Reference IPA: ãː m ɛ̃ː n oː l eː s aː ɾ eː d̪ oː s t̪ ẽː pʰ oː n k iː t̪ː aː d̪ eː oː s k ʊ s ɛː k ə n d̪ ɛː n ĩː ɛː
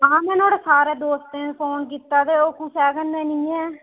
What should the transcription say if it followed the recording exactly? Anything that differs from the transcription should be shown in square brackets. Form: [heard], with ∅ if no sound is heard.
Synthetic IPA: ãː m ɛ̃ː n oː [ɽ] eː s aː ɾ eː d̪ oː s t̪ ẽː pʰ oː n k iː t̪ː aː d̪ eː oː [∅] k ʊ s ɛː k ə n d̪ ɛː n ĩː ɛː